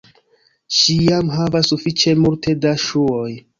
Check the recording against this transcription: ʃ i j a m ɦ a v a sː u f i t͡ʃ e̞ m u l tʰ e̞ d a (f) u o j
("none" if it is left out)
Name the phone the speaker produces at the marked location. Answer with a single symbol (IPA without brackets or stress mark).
ʃ